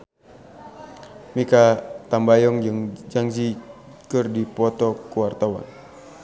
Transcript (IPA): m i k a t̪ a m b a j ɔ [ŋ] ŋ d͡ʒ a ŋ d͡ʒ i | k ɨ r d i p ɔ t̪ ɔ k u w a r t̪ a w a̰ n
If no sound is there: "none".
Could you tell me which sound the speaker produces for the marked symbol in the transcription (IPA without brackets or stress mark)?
ŋ